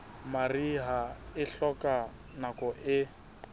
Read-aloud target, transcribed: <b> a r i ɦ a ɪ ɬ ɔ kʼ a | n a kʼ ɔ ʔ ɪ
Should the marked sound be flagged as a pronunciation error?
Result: yes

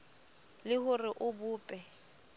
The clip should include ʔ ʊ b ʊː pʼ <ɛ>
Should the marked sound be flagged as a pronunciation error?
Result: no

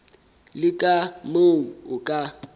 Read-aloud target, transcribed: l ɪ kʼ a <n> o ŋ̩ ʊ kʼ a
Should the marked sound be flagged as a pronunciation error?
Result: yes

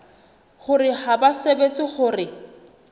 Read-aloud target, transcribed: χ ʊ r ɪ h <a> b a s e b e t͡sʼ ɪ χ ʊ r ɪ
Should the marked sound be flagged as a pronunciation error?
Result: no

